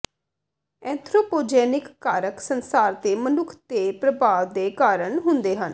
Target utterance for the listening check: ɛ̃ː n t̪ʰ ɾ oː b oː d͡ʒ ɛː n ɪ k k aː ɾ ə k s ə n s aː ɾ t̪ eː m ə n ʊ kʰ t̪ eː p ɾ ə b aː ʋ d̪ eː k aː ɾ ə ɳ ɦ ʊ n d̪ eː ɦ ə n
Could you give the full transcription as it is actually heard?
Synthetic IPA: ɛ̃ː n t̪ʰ ɾ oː p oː d͡ʒ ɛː n ɪ k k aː ɾ ə k s ə n s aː ɾ t̪ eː m ə n ʊ kʰ t̪ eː p ɾ ə b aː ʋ d̪ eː k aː ɾ ə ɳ ɦ ʊ n d̪ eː ɦ ə n